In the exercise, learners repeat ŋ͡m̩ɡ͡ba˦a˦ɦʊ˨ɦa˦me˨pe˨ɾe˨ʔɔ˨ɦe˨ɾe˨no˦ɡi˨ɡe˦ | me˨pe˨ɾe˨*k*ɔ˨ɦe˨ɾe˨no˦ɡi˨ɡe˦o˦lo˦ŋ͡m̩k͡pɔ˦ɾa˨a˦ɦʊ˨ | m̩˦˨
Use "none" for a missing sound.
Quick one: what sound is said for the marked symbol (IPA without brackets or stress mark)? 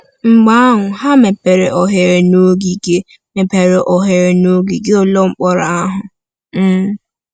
ʔ